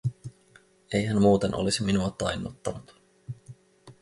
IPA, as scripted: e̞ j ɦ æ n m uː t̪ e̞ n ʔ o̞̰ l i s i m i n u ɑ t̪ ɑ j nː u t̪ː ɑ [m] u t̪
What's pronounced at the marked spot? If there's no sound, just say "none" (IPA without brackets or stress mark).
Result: n